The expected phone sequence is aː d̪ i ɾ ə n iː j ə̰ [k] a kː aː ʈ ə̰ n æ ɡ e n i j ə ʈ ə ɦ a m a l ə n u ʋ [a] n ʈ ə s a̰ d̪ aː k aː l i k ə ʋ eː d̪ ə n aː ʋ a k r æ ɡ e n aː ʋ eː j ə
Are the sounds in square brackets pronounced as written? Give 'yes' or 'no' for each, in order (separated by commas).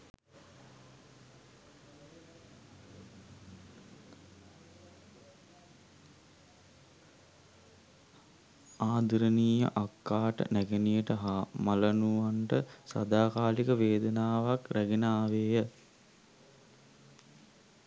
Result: no, yes